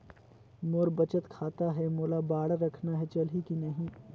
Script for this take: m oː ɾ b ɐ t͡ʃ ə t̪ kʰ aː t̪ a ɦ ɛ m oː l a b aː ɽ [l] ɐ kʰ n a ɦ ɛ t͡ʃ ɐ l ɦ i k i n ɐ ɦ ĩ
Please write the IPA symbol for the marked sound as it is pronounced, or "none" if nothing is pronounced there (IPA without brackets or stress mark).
ɾ